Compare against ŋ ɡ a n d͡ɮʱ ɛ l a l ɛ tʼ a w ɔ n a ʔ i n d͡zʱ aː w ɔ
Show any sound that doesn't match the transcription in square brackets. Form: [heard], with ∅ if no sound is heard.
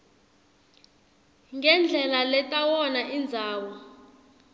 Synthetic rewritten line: ŋ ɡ [ɛ] n d͡ɮʱ ɛ l a l ɛ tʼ a w ɔ n a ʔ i n d͡zʱ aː w ɔ